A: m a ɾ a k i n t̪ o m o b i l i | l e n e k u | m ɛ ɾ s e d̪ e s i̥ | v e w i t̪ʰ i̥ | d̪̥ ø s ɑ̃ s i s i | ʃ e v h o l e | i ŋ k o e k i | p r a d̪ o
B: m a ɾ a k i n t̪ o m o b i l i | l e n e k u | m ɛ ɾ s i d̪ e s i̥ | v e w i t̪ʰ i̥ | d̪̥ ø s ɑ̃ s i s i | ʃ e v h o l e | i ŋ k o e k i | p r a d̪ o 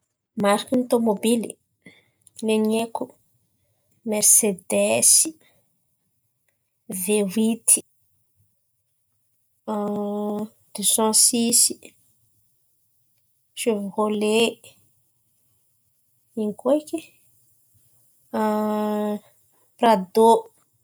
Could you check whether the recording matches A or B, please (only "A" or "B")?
A